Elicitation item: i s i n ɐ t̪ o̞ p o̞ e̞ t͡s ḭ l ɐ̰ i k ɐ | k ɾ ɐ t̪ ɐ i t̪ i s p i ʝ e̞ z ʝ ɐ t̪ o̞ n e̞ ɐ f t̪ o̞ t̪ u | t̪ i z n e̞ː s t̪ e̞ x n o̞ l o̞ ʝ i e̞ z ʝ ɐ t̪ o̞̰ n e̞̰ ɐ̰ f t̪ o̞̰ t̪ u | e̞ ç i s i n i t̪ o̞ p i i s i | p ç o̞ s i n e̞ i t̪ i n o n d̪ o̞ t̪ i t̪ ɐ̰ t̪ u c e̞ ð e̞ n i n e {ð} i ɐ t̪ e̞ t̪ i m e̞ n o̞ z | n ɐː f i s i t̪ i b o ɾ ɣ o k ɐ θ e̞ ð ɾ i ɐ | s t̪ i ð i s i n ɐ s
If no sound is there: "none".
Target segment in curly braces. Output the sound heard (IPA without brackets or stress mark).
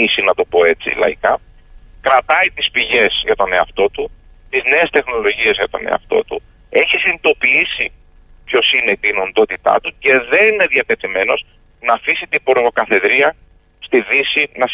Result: ð